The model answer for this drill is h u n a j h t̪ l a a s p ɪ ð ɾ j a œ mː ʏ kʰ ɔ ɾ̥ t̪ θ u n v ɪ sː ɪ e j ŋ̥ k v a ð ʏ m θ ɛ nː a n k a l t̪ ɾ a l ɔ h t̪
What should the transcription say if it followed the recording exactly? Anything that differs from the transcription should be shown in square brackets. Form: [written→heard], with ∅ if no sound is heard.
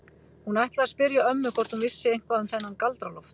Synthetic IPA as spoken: h u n a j h t̪ l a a s p ɪ [ð→∅] ɾ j a œ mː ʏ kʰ ɔ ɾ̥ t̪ [θ→h] u n v ɪ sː ɪ e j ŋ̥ k v a ð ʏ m θ ɛ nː a n k a l t̪ ɾ a l ɔ [h→f] t̪